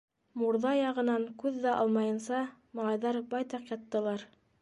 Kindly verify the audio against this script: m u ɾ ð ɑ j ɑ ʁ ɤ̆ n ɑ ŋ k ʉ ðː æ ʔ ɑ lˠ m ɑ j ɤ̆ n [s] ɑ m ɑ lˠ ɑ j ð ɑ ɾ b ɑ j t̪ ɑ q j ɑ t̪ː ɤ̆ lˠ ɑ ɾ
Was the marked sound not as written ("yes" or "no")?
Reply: no